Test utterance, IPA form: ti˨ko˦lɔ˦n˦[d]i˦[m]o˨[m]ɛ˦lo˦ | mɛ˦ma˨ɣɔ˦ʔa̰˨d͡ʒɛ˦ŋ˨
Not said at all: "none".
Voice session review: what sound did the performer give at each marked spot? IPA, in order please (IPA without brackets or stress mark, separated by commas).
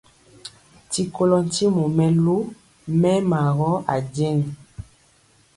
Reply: t, m, m